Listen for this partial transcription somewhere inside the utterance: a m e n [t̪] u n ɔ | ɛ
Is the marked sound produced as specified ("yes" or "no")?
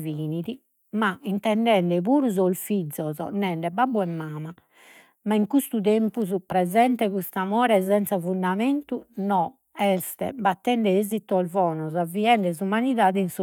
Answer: yes